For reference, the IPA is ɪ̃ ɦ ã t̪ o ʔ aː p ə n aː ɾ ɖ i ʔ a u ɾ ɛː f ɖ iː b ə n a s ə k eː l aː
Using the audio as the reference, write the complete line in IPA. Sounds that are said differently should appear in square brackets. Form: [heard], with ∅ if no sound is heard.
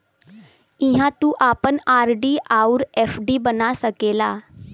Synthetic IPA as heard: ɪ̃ ɦ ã t̪ [u] ʔ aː p ə n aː ɾ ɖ i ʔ a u ɾ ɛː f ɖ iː b ə n a s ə k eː l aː